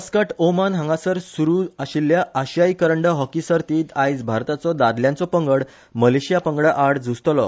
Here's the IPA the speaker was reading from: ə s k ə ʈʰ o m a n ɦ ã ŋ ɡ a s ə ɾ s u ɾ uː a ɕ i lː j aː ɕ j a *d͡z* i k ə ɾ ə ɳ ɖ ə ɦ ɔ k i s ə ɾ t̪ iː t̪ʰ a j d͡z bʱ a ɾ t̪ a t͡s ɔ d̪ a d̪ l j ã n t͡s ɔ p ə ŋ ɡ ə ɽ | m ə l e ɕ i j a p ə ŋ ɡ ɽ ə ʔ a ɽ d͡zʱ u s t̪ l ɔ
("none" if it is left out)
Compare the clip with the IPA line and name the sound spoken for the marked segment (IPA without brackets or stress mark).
none